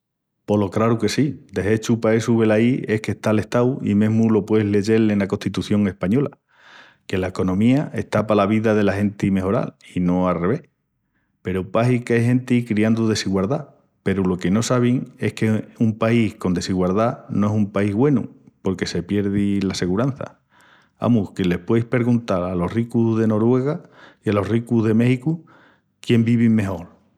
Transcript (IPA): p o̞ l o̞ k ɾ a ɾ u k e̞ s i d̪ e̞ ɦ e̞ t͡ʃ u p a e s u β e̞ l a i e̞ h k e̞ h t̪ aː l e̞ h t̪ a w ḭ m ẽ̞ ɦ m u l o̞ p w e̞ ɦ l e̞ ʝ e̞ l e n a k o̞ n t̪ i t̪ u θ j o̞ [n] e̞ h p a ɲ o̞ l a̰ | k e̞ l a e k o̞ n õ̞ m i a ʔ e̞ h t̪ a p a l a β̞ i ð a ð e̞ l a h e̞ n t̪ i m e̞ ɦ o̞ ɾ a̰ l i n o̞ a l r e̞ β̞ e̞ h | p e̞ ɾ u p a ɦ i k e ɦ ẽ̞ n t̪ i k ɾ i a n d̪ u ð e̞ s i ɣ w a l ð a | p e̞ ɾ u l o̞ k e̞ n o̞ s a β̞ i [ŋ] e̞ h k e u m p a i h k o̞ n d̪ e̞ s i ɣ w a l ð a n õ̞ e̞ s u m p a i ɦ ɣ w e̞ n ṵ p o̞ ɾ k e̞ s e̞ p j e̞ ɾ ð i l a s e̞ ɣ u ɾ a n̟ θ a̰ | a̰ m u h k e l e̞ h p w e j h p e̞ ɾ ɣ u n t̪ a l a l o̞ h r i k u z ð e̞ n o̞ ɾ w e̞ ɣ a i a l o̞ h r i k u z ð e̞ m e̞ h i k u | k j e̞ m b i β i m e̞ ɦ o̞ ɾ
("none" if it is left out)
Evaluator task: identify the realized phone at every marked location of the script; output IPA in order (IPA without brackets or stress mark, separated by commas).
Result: ŋ, ŋ